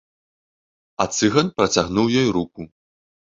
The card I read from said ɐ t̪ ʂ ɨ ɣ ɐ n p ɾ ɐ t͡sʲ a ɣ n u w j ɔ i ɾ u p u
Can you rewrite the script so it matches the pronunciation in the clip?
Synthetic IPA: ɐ t̪ s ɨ ɣ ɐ n p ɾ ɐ t͡sʲ a ɣ n u w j ɔ j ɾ u k u

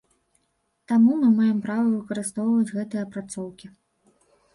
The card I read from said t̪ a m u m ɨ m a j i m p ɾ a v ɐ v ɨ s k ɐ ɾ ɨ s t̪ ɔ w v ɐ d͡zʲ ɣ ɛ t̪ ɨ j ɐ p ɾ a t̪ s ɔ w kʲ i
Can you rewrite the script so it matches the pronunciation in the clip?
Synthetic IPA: t̪ a m u m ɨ m a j ɛ m p ɾ a v ɐ v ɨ k ɐ ɾ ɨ s t̪ ɔ w v ɐ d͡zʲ ɣ ɛ t̪ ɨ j ɐ p ɾ a t̪ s ɔ w kʲ i

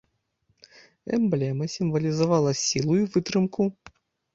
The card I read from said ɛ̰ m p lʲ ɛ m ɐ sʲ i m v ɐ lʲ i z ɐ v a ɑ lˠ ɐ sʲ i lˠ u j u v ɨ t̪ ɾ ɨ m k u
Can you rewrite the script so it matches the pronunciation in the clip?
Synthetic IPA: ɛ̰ m b lʲ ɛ m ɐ sʲ i m v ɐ lʲ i z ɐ v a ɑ lˠ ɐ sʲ i lˠ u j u v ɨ t̪ ɾ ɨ m k u

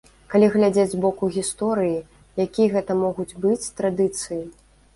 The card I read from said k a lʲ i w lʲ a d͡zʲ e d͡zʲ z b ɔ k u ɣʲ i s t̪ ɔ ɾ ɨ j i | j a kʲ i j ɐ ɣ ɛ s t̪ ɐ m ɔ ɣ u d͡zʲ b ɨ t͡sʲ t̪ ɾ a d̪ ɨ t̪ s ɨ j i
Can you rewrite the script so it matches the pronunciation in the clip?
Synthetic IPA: k a lʲ i ɣ lʲ a d͡zʲ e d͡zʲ z b ɔ k u ɣʲ i s t̪ ɔ ɾ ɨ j i | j a kʲ i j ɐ ɣ ɛ t̪ ɐ m ɔ ɣ u d͡zʲ b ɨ t͡sʲ t̪ ɾ a d̪ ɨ t̪ s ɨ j i

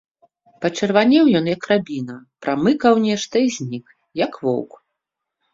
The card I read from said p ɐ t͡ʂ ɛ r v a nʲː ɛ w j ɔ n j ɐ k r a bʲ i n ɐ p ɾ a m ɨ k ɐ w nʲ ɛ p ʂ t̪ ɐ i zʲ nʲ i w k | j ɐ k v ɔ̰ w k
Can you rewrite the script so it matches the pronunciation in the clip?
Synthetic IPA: p ɐ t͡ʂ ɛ r v a nʲ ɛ w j ɔ n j ɐ k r a bʲ i n ɐ p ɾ a m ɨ k ɐ w nʲ ɛ ʂ t̪ ɐ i zʲ nʲ i k | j ɐ k v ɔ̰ w k

